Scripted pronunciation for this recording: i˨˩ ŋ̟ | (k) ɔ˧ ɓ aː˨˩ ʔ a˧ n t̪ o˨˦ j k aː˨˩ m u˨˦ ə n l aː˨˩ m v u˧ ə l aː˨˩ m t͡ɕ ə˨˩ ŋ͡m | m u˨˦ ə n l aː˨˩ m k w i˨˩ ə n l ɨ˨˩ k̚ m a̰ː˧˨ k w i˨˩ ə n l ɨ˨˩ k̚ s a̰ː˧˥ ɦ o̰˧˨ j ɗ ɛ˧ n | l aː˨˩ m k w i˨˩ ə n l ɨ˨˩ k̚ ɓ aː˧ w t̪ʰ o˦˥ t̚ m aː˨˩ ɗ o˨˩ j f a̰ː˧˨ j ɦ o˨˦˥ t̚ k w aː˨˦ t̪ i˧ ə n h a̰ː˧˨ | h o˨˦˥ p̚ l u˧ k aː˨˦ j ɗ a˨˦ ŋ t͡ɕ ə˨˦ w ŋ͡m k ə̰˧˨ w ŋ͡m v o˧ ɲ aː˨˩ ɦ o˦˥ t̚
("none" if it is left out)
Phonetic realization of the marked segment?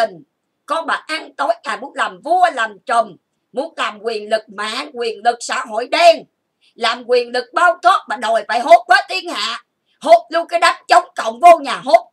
k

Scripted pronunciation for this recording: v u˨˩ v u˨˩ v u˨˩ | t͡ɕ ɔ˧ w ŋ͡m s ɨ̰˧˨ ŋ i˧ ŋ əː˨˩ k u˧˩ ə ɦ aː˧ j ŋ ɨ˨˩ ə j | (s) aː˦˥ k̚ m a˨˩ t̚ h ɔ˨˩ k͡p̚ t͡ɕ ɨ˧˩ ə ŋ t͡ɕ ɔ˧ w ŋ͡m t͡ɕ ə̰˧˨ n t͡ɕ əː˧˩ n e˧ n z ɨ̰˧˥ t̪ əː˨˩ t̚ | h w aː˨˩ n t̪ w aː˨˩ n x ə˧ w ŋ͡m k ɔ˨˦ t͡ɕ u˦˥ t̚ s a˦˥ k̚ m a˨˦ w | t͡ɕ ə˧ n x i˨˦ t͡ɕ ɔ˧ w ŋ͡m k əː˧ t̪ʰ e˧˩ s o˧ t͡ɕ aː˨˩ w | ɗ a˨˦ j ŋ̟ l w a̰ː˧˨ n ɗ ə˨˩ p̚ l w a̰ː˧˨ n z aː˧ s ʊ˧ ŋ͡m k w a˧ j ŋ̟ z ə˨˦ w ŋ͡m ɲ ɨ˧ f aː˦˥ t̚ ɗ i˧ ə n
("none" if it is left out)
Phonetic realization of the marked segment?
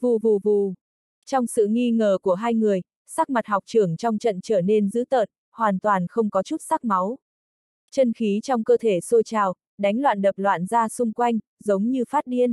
s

